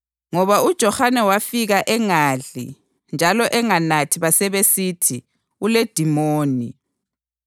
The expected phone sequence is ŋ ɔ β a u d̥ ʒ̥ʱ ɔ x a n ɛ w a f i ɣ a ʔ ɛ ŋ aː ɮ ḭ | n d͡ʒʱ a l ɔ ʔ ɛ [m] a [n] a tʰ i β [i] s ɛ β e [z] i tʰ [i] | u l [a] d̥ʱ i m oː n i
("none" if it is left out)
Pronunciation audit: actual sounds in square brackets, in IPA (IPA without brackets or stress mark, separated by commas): ŋ, n, a, s, i, e